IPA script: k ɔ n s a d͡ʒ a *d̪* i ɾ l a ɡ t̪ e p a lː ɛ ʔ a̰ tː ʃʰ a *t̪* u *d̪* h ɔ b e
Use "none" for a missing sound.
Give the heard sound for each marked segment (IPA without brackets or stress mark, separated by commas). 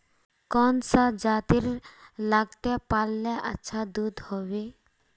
t̪, d̪, d̪